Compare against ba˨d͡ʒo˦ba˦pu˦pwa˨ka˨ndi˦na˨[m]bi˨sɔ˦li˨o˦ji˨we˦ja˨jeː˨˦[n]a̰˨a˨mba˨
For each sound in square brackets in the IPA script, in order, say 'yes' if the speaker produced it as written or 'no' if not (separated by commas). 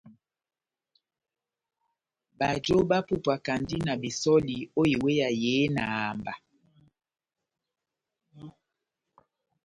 no, yes